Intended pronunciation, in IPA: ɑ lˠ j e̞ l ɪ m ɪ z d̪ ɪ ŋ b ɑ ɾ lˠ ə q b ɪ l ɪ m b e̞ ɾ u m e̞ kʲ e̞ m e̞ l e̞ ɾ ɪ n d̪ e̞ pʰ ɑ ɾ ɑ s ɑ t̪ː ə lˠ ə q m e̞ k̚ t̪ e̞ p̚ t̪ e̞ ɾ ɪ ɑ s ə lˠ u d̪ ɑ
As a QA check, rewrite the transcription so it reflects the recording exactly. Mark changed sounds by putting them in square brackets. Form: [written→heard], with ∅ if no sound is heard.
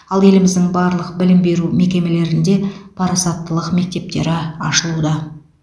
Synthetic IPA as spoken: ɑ lˠ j e̞ l ɪ m ɪ z d̪ ɪ ŋ b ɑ ɾ lˠ ə q b ɪ l ɪ m b e̞ ɾ u m e̞ kʲ e̞ m e̞ l e̞ ɾ ɪ n d̪ e̞ pʰ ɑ ɾ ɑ s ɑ t̪ː ə lˠ ə q m e̞ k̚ t̪ e̞ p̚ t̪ e̞ ɾ ɪ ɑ [s→ʃ] ə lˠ u d̪ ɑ